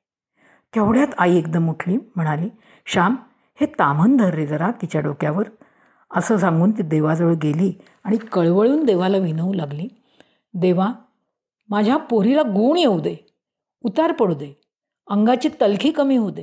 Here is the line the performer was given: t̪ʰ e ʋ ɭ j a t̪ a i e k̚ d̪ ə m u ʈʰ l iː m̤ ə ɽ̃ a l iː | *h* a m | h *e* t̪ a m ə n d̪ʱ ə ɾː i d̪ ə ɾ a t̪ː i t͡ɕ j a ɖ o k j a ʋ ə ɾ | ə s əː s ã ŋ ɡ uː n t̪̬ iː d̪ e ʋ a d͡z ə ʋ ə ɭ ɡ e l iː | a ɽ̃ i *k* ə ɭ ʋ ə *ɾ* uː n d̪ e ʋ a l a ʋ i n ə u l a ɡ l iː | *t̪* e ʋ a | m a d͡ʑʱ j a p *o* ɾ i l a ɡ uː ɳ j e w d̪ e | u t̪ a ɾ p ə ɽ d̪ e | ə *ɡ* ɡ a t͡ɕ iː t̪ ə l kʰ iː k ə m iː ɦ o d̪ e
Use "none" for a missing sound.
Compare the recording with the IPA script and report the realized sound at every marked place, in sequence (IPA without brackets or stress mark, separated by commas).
ɕ, e, k, ɭ, d̪, o, ŋ